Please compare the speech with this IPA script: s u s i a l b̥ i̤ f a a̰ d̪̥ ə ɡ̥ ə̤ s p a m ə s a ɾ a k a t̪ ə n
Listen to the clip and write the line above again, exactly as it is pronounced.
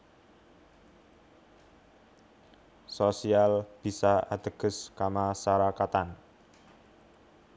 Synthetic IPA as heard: s o s i a l b̥ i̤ s a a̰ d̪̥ ə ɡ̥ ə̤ s k a m a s a ɾ a k a t̪ a n